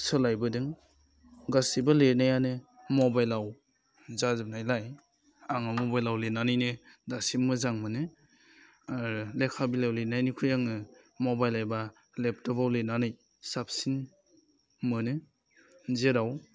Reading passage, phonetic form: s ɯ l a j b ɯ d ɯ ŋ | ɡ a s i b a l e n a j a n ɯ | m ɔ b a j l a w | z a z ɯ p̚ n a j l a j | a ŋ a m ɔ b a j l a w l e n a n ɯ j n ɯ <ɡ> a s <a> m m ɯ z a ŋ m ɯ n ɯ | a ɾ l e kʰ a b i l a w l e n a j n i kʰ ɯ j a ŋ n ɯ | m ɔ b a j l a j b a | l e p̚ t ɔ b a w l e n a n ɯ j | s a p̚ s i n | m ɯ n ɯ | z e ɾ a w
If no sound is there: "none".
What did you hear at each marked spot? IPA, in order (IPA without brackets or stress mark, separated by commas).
d, i